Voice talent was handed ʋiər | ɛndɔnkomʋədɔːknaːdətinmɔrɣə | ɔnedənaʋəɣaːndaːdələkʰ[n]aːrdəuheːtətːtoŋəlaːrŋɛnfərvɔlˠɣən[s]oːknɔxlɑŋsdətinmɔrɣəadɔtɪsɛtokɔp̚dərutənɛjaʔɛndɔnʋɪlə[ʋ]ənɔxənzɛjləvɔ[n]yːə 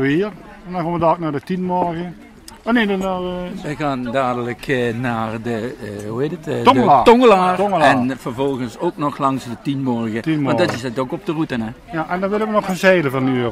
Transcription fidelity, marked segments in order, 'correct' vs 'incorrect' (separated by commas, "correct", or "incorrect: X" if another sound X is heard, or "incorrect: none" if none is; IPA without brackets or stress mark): correct, correct, correct, correct